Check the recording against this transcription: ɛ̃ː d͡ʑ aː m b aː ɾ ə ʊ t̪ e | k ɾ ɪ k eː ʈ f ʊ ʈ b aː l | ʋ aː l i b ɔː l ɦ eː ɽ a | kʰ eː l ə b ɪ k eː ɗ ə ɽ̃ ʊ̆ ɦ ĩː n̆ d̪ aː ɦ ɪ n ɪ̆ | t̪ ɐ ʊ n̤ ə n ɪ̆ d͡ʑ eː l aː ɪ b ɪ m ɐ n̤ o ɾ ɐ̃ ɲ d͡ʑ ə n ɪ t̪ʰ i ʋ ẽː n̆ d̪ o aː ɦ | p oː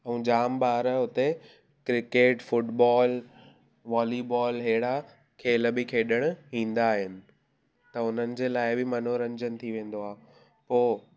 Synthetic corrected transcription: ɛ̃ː d͡ʑ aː m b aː ɾ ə ʊ t̪ e | k ɾ ɪ k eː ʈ f ʊ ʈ b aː l | ʋ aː l i b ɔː l ɦ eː ɽ a | kʰ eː l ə b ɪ kʰ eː ɗ ə ɽ̃ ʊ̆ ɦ ĩː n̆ d̪ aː ɦ ɪ n ɪ̆ | t̪ ɐ ʊ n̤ ə n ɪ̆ d͡ʑ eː l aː ɪ b ɪ m ɐ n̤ o ɾ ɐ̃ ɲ d͡ʑ ə n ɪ t̪ʰ i ʋ ẽː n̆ d̪ o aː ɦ | p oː